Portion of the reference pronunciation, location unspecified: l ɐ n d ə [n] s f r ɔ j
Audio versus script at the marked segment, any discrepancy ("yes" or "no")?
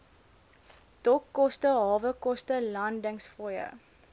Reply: yes